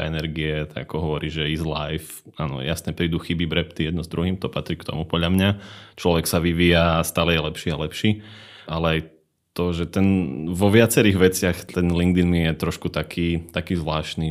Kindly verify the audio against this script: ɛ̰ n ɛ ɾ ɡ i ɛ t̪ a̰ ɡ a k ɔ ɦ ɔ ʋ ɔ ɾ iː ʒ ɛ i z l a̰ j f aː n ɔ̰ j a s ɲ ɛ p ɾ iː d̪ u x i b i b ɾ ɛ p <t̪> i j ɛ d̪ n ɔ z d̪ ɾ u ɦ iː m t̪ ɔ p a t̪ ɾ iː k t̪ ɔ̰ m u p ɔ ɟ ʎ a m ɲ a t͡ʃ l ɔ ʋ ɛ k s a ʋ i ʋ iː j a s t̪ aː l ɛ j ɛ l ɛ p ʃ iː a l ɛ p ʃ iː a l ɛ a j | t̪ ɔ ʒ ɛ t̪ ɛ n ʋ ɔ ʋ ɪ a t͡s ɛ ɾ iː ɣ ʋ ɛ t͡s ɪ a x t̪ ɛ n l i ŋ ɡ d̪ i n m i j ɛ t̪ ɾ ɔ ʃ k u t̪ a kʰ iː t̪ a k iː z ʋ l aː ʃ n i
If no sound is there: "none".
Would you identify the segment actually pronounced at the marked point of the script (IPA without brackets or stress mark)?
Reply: t̪